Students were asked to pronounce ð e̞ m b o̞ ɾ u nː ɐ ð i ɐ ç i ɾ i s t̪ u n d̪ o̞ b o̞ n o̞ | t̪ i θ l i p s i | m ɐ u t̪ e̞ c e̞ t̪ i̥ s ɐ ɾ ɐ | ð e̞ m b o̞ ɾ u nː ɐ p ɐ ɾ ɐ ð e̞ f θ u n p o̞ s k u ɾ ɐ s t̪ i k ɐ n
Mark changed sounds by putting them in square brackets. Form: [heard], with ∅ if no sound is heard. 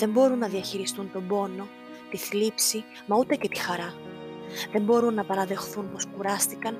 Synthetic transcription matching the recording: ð e̞ m b o̞ ɾ u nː ɐ ð i ɐ ç i ɾ i s t̪ u n [t̪] o̞ b o̞ n o̞ | t̪ i θ l i p s i | m ɐ u t̪ e̞ c e̞ t̪ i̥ [x] ɐ ɾ ɐ | ð e̞ m b o̞ ɾ u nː ɐ p ɐ ɾ ɐ ð e̞ [x] θ u n p o̞ s k u ɾ ɐ s t̪ i k ɐ n